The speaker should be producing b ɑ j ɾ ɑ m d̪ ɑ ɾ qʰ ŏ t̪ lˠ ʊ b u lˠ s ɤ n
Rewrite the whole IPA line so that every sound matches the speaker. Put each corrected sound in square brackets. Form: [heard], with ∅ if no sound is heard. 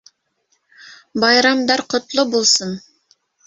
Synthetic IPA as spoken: b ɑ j ɾ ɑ m d̪ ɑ ɾ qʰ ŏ t̪ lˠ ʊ b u lˠ s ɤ n